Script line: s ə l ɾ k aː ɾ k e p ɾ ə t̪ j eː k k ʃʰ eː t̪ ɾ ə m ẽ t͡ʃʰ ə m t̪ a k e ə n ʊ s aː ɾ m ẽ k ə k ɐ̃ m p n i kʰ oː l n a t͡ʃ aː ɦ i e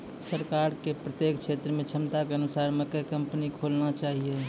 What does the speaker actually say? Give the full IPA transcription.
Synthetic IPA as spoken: s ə ɾ k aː ɾ k e p ɾ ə t̪ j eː k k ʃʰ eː t̪ ɾ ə m ẽ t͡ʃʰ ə m t̪ a k e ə n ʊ s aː ɾ m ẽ k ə k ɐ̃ m p n i kʰ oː l n a t͡ʃ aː ɦ i e

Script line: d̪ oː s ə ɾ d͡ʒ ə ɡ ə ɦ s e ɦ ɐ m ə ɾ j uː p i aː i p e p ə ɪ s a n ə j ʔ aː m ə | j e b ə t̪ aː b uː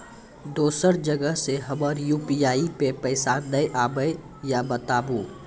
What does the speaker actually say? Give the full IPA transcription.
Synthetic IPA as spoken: d̪ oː s ə ɾ d͡ʒ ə ɡ ə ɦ s e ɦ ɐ m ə ɾ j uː p i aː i p e p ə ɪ s a n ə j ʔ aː b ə | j a b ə t̪ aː b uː

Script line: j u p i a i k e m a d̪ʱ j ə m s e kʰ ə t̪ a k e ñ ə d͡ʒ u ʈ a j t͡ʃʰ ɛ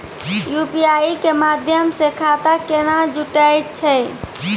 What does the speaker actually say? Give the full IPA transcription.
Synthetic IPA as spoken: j u p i a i k e m a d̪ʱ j ə m s e kʰ a t̪ a k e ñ a d͡ʒ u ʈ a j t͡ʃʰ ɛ

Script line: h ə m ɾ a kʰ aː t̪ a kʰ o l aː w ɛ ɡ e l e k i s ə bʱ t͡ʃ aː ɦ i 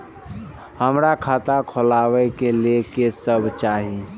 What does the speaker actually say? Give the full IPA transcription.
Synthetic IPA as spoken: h ə m ɾ a kʰ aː t̪ a kʰ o l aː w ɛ k e l e k e s ə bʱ t͡ʃ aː ɦ i

